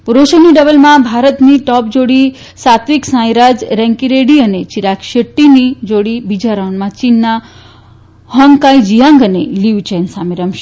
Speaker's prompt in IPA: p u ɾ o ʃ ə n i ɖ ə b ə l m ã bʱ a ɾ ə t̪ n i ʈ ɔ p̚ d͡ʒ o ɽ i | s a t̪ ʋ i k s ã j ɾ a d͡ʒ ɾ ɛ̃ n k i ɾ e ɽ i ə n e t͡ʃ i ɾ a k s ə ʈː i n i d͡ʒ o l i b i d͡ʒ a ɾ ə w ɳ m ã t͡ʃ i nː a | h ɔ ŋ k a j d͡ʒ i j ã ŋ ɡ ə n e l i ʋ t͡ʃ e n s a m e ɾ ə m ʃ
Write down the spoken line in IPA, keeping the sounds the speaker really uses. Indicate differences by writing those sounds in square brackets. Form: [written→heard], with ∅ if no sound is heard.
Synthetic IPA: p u ɾ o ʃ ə n i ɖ ə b ə l m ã bʱ a ɾ ə t̪ n i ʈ ɔ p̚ d͡ʒ o ɽ i | s a t̪ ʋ i k s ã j ɾ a d͡ʒ ɾ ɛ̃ [n→ŋ] k i ɾ e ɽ i ə n e t͡ʃ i ɾ a k [s→ʃ] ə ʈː i n i d͡ʒ o [l→ɽ] i b i d͡ʒ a ɾ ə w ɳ m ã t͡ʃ i nː a | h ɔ ŋ k a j d͡ʒ i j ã ŋ ɡ ə n e l i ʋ t͡ʃ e n s a m e ɾ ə m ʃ